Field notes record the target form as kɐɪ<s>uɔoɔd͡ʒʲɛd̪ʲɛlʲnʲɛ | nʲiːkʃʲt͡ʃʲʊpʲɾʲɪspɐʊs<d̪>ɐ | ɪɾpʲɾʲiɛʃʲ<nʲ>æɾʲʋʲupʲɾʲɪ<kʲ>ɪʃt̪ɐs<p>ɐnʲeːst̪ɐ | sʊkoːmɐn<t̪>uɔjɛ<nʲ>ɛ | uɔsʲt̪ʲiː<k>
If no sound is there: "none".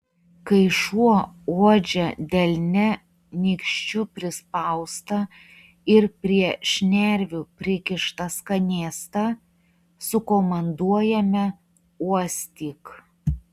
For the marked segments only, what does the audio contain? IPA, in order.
ʃ, t̪, nʲ, kʲ, k, d̪, mʲ, k

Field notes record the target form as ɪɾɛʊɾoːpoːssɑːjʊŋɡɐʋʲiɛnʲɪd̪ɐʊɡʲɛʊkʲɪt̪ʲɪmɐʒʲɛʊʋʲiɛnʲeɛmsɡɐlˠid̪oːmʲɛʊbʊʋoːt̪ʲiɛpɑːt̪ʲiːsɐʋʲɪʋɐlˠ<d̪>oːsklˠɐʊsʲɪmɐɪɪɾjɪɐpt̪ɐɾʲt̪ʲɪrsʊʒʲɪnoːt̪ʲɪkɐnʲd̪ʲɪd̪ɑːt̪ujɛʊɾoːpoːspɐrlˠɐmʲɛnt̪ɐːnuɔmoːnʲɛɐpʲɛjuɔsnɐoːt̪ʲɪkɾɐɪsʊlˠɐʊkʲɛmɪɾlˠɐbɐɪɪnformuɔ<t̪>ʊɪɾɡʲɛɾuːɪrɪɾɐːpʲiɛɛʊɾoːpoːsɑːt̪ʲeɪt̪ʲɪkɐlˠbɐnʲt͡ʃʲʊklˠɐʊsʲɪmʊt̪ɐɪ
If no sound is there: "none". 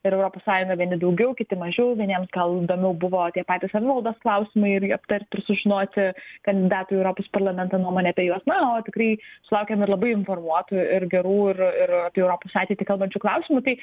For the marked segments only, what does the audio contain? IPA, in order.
d̪, t̪

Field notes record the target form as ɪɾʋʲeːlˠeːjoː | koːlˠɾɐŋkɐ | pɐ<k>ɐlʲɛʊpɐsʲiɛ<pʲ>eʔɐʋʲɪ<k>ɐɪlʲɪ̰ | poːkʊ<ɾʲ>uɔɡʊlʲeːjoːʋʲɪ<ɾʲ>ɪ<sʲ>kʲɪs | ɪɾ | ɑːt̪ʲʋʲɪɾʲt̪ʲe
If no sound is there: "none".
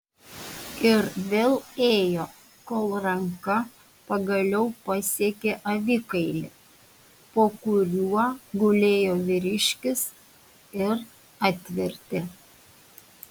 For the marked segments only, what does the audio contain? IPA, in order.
ɡ, kʲ, k, ɾʲ, ɾʲ, ʃʲ

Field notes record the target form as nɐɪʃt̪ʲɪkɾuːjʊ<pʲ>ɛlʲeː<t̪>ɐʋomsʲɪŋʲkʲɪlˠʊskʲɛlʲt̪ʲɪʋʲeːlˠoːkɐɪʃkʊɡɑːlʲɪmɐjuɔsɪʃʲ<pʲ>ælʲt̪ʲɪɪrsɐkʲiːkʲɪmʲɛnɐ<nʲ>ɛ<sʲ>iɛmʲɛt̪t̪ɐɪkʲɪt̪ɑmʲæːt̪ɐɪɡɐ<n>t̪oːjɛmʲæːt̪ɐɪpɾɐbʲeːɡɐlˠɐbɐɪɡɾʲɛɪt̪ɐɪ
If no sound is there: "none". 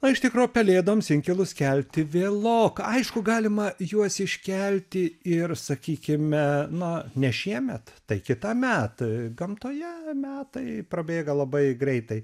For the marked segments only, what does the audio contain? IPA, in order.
pʲ, d̪, kʲ, nʲ, ʃʲ, m

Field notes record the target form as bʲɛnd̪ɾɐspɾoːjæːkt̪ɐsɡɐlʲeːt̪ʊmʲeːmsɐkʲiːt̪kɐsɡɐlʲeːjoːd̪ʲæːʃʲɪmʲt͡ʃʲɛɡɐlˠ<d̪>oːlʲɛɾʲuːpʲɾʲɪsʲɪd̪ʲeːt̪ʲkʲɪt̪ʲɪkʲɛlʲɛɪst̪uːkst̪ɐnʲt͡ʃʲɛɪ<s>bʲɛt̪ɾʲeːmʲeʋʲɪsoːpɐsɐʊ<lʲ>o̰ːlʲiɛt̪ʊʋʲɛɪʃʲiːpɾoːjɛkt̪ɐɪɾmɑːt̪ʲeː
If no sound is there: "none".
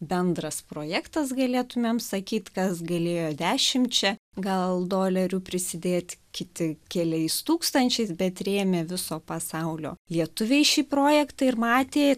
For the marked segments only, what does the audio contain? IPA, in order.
d̪, s, lʲ

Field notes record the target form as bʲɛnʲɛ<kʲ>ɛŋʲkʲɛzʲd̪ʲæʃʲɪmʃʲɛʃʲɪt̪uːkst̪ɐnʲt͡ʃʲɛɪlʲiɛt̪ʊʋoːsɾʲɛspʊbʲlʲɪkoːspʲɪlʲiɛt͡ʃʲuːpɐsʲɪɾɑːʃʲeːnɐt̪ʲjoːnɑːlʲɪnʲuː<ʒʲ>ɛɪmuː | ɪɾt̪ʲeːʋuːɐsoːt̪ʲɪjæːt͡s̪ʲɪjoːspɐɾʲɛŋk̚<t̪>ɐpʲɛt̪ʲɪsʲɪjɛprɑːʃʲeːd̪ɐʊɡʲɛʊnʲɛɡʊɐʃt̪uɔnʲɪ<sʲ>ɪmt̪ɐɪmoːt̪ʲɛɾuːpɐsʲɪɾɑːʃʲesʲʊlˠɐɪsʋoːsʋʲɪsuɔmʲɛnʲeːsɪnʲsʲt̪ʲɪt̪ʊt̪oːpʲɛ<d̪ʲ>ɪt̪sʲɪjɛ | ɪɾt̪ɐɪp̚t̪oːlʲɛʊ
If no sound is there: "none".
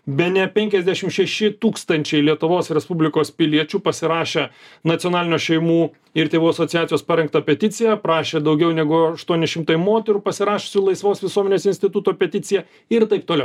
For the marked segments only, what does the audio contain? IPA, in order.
pʲ, ʃʲ, t̪, ʃʲ, t̪ʲ

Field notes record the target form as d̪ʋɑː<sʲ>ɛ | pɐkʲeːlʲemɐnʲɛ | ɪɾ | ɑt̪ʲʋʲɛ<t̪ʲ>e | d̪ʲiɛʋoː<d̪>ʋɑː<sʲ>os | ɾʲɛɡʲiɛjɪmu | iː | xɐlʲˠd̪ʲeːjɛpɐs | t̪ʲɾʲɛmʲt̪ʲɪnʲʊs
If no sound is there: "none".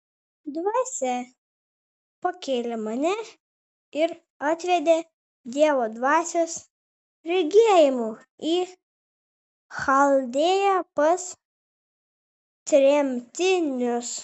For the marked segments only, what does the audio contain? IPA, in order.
sʲ, d̪ʲ, d̪, sʲ

